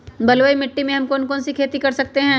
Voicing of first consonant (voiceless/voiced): voiced